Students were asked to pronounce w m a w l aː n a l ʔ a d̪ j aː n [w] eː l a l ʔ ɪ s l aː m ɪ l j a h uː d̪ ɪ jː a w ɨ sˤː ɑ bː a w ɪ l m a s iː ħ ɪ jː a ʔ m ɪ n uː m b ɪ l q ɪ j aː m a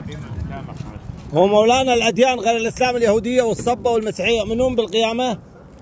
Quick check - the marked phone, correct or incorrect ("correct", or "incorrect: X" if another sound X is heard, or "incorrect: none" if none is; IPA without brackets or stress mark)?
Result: incorrect: ɣ